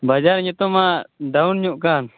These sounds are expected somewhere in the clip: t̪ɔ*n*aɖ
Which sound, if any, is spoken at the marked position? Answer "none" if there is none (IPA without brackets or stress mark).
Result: m